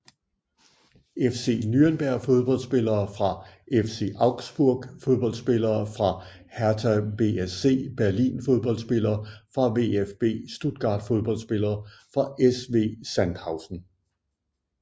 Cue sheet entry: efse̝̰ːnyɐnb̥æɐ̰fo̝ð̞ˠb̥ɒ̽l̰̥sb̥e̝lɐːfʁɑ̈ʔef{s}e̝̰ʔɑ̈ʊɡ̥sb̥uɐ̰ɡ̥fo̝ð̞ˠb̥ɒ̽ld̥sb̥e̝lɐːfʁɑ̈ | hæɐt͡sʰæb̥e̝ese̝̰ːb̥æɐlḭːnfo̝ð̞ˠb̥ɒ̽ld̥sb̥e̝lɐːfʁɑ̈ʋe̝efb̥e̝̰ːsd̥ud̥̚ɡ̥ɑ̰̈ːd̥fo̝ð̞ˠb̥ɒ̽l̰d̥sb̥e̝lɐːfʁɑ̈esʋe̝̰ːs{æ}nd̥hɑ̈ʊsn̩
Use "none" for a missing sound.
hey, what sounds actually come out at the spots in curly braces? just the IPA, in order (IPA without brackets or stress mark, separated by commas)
s, æ